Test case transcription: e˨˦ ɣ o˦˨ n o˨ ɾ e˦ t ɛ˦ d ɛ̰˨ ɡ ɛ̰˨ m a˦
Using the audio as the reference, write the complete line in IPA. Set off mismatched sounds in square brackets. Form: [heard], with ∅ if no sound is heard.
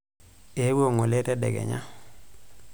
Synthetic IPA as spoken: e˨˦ [w] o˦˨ [ŋ] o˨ [l] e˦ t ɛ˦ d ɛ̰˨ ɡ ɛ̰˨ [ɲ] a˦